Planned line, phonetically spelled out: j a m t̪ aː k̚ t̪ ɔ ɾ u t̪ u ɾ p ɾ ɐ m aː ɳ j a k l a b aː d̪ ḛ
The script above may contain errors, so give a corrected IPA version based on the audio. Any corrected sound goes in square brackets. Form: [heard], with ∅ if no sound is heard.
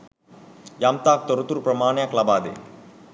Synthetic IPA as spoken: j a m t̪ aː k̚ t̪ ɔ ɾ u t̪ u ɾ p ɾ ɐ m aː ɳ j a k l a b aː d̪ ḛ